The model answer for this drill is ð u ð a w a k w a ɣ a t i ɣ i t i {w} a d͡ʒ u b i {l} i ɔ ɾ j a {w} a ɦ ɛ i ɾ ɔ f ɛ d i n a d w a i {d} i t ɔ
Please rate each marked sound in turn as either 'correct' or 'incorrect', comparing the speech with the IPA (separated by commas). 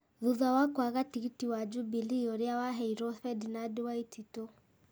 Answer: correct, correct, correct, incorrect